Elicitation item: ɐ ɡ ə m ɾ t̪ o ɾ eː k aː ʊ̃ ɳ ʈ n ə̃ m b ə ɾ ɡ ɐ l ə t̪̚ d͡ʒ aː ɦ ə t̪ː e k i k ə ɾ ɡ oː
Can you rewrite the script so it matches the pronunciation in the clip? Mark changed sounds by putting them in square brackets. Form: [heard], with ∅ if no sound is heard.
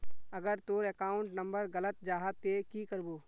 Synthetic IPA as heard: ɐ ɡ ə [∅] ɾ t̪ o ɾ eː k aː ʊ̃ ɳ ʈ n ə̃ m b ə ɾ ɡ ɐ l ə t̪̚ d͡ʒ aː ɦ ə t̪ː e k i k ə ɾ [b] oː